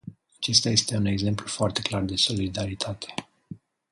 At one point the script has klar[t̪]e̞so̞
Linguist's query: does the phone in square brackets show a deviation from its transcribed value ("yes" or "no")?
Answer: yes